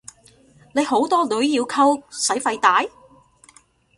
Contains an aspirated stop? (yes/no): yes